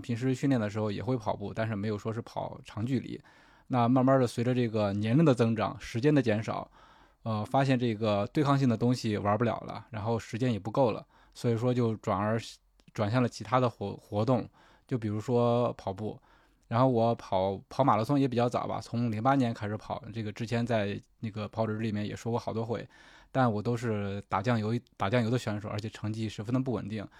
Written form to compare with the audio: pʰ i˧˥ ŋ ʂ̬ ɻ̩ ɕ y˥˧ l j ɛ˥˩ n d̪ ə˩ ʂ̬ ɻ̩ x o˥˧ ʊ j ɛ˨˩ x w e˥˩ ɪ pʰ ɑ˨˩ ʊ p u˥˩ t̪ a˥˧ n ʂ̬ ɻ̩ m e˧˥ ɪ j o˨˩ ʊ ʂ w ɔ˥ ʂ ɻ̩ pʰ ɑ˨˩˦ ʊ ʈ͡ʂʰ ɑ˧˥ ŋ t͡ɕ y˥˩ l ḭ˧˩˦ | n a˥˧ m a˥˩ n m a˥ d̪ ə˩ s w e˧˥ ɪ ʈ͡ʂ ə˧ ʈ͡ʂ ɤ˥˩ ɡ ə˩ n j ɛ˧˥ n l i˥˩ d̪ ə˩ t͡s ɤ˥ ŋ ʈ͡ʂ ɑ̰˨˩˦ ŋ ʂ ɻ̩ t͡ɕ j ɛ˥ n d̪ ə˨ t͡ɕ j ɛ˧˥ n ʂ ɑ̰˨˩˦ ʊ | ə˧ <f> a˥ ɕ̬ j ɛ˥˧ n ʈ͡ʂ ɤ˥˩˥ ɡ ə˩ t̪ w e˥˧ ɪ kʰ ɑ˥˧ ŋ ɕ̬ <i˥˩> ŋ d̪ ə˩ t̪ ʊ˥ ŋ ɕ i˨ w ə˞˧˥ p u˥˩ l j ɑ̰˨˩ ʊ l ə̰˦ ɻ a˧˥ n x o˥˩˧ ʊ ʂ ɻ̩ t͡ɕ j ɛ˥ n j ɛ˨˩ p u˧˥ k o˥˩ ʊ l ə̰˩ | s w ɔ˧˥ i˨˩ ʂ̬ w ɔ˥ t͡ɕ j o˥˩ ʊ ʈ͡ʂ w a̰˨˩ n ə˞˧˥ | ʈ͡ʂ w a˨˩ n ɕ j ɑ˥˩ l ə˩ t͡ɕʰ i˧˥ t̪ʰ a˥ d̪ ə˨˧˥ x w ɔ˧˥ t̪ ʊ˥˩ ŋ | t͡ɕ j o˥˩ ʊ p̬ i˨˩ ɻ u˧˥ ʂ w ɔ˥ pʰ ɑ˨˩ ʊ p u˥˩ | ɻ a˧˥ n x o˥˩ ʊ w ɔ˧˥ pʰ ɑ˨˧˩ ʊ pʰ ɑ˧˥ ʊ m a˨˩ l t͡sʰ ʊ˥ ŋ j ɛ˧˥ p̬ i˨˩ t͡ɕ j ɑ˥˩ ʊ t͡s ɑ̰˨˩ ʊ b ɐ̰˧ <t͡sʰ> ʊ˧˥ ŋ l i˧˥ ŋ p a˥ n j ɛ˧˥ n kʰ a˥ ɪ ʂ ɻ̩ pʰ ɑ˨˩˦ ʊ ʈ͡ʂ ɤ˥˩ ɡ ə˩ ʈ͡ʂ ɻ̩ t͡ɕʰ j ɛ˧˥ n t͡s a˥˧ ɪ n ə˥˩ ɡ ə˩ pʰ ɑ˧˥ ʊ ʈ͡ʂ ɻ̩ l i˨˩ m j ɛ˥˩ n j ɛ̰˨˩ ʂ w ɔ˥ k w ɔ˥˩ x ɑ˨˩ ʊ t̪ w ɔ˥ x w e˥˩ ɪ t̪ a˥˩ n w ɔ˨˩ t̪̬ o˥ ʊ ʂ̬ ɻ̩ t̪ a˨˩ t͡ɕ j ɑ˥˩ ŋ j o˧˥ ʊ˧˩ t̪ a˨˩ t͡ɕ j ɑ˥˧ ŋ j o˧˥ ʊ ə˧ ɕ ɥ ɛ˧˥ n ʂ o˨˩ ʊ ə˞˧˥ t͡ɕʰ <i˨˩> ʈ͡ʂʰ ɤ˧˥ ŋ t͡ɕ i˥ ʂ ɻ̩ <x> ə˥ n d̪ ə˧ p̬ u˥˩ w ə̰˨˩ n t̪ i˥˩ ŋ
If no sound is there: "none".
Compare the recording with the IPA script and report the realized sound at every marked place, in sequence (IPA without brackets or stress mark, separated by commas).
f, i˥˩, t͡sʰ, ɛ˨˩, f